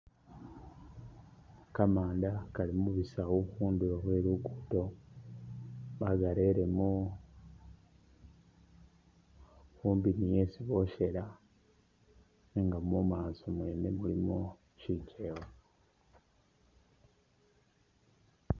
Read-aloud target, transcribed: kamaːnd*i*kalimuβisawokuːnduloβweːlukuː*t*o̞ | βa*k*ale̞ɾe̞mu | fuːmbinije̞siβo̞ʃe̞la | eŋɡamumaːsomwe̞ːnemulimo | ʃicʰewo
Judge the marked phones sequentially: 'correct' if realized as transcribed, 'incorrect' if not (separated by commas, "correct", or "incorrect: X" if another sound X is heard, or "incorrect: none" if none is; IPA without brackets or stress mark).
incorrect: a, correct, incorrect: ɡ